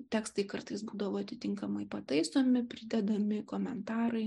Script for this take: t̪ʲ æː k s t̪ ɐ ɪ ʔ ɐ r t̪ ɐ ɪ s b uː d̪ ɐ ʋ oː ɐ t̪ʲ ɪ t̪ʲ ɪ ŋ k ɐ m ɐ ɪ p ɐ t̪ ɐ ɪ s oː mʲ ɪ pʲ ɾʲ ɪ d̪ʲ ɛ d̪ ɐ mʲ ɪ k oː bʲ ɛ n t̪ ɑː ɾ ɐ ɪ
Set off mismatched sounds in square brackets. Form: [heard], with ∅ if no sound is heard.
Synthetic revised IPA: t̪ʲ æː k s t̪ ɐ ɪ [k] ɐ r t̪ ɐ ɪ s b uː d̪ ɐ ʋ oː ɐ t̪ʲ ɪ t̪ʲ ɪ ŋ k ɐ m ɐ ɪ p ɐ t̪ ɐ ɪ s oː mʲ ɪ pʲ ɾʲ ɪ d̪ʲ ɛ d̪ ɐ mʲ ɪ k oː [mʲ] ɛ n t̪ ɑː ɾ ɐ ɪ